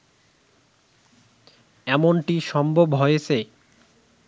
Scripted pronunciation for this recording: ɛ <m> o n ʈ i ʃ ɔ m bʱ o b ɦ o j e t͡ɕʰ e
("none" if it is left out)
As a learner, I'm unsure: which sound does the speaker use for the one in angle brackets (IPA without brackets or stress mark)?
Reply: m